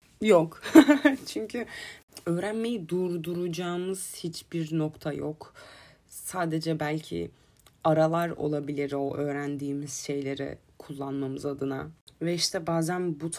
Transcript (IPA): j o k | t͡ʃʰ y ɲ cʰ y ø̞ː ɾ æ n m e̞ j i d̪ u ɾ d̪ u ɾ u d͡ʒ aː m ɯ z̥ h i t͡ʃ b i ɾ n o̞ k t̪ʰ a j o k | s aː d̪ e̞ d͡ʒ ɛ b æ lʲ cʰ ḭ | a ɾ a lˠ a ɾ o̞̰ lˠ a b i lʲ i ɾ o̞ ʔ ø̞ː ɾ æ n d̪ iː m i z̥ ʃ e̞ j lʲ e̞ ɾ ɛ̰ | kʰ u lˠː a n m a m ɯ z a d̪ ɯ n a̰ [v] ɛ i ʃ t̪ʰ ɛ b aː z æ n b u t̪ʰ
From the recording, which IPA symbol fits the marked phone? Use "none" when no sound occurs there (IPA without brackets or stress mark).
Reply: v